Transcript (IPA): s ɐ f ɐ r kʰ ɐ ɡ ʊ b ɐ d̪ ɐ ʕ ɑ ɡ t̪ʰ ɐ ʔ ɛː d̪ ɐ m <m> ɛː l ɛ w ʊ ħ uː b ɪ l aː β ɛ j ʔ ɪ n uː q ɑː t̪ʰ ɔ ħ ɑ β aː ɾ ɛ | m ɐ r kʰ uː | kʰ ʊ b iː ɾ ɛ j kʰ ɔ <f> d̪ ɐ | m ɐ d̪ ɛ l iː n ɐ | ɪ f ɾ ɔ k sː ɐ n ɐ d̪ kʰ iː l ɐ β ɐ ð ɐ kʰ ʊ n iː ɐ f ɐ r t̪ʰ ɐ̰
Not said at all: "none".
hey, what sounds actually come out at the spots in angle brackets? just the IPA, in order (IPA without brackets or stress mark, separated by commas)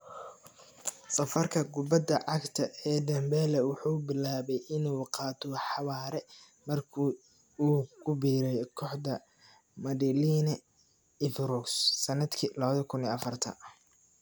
b, ħ